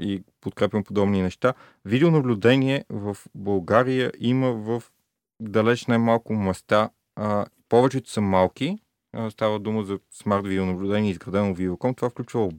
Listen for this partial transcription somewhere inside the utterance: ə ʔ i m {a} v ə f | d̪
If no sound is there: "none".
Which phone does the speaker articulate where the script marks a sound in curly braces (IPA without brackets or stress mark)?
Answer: ə